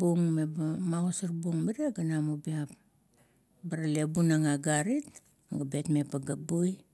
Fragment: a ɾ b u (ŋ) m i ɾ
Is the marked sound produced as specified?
yes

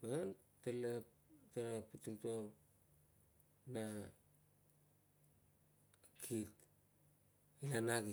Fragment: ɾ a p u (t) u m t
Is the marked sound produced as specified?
yes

